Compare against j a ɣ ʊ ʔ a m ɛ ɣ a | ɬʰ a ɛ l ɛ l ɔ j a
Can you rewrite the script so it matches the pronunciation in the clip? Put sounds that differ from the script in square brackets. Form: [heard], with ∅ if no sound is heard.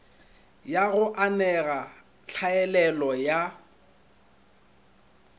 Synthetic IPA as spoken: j a ɣ ʊ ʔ a [n] ɛ ɣ a | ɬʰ a ɛ l ɛ l ɔ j a